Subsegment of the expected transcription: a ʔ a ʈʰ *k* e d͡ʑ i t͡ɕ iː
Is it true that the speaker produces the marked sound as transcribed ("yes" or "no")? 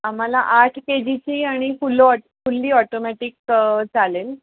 yes